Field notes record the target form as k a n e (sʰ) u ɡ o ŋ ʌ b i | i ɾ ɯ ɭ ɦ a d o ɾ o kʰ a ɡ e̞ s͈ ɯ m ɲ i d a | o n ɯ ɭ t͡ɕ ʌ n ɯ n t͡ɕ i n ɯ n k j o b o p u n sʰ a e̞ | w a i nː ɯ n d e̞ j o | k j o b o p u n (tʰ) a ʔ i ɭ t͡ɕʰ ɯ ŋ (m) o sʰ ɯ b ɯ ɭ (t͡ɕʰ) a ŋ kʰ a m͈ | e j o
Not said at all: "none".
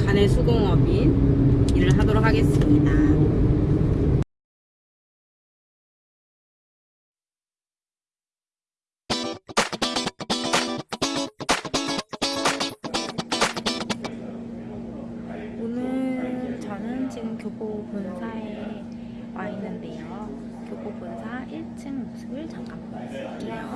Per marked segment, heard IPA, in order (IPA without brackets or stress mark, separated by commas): sʰ, sʰ, m, t͡ɕ